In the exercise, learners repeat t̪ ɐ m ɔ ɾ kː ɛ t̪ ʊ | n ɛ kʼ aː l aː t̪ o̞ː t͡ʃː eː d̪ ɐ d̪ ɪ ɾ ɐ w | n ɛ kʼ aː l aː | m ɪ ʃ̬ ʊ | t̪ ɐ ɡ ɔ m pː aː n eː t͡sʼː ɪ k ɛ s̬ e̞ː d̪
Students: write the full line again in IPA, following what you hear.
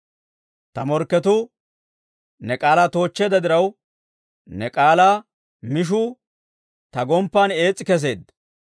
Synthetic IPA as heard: t̪ ɐ m ɔ ɾ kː ɛ t̪ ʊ | n ɛ kʼ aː l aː t̪ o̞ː t͡ʃː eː d̪ ɐ d̪ ɪ ɾ ɐ w | n ɛ kʼ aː l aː | m ɪ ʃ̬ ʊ | t̪ ɐ ɡ ɔ m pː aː n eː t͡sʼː ɪ k ɛ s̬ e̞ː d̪